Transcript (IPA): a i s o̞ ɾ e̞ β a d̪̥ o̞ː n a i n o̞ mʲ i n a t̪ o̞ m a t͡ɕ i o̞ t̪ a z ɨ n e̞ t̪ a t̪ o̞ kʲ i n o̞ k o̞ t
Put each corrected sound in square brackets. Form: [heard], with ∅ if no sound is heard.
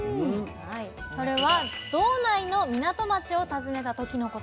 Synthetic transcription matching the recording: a i s o̞ ɾ e̞ β a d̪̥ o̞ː n a i n o̞ mʲ i n a t̪ o̞ m a t͡ɕ i o̞ t̪ a z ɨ n e̞ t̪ a t̪ o̞ kʲ i n o̞ k o̞ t